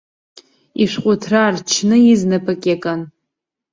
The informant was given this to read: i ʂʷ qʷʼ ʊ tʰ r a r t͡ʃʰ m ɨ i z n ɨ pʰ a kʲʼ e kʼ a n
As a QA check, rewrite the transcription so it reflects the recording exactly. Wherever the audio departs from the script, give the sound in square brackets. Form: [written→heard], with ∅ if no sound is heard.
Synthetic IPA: i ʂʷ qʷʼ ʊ tʰ r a r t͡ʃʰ [m→n] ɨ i z n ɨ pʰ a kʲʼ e kʼ a n